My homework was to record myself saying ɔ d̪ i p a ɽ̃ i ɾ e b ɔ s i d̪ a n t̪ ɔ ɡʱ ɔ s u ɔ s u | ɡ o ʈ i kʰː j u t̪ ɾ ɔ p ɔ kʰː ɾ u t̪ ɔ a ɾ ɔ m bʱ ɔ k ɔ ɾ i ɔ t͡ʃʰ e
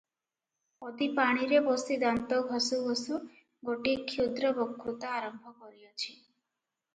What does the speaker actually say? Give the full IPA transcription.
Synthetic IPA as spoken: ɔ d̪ i p a ɽ̃ i ɾ e b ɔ s i d̪ a n t̪ ɔ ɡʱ ɔ s u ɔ s u | ɡ o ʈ i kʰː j u d̪ ɾ ɔ b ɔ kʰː ɾ u t̪ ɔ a ɾ ɔ m bʱ ɔ k ɔ ɾ i ɔ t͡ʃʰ i